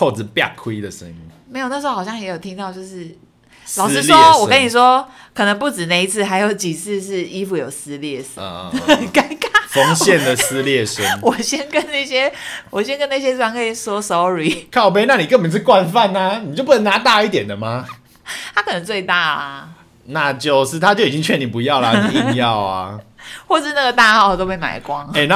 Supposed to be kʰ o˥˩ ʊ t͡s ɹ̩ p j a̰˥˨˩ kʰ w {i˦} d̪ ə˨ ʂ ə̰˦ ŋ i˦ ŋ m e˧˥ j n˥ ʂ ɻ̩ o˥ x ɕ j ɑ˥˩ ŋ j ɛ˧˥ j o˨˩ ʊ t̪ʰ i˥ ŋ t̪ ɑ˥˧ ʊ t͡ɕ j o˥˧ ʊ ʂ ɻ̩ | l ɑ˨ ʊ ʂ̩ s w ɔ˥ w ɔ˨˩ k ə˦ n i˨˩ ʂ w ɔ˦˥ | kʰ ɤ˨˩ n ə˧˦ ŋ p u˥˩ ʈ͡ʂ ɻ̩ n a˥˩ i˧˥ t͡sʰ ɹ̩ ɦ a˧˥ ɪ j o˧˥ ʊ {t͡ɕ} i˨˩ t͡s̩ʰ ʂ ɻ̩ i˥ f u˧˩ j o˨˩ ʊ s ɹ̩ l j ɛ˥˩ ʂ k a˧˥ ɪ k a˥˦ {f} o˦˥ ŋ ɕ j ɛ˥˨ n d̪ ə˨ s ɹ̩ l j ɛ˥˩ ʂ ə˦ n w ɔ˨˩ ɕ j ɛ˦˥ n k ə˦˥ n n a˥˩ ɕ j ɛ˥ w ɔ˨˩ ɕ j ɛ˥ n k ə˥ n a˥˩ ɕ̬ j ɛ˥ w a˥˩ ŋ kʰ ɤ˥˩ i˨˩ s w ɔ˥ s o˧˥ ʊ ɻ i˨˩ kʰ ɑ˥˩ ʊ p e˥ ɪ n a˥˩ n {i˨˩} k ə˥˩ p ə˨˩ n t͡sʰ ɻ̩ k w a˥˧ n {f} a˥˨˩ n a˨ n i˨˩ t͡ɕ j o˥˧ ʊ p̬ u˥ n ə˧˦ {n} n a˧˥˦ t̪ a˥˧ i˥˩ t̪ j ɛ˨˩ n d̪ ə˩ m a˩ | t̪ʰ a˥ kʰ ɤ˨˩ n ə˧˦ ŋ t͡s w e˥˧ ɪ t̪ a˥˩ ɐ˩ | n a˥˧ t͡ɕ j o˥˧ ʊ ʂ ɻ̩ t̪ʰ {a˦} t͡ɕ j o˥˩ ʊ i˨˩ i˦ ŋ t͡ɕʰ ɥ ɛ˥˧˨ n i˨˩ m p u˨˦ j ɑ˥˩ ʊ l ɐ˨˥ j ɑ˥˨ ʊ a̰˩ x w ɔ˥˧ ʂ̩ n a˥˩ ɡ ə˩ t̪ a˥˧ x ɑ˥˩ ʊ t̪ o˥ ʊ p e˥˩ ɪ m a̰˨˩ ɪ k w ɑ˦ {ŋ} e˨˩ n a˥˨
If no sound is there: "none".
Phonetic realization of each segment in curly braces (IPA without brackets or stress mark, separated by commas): i˦, t͡ɕ, f, i˨˩, f, ŋ, a˦, ŋ